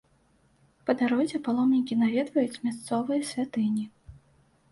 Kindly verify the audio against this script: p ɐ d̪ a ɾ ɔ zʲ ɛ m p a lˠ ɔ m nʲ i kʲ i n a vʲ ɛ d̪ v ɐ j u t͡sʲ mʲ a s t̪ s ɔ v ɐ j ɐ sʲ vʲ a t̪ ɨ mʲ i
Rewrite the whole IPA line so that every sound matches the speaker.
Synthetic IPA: p ɐ d̪ a ɾ ɔ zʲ ɛ p a lˠ ɔ m nʲ i kʲ i n a vʲ ɛ d̪ v ɐ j u t͡sʲ mʲ a s t̪ s ɔ v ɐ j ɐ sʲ vʲ a t̪ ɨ nʲ i